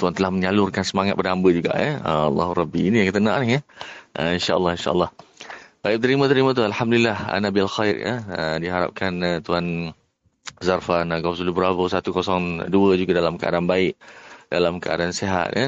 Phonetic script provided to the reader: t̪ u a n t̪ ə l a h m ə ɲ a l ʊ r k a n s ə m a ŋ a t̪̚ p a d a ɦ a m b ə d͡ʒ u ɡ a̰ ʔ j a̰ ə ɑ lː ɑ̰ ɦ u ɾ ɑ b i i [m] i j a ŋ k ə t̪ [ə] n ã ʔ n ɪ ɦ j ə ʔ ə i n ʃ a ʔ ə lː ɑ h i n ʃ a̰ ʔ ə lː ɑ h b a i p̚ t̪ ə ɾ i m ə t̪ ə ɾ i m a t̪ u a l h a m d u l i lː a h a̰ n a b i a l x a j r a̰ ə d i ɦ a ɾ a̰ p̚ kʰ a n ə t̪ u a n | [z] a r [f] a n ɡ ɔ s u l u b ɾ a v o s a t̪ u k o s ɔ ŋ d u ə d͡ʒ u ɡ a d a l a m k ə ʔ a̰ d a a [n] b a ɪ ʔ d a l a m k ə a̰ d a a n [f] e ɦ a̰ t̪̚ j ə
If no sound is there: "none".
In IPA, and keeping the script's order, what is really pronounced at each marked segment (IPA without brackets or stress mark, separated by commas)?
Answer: n, ə, z, f, n, s